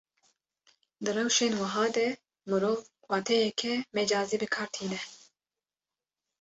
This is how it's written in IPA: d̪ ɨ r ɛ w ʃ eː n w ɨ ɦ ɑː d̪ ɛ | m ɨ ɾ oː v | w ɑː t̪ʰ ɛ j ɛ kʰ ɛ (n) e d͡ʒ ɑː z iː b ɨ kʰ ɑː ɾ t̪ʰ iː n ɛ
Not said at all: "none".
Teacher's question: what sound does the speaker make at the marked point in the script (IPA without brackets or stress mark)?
m